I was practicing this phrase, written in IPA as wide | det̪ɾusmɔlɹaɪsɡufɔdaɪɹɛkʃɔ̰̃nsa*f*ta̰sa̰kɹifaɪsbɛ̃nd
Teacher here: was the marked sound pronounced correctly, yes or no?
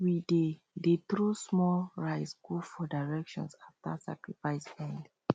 yes